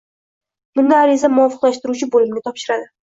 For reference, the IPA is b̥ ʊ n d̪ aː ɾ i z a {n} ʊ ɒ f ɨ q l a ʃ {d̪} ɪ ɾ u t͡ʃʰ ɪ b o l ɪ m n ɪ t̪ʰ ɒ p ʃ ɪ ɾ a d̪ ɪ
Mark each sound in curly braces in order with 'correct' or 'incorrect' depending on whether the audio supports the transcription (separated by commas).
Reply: incorrect, incorrect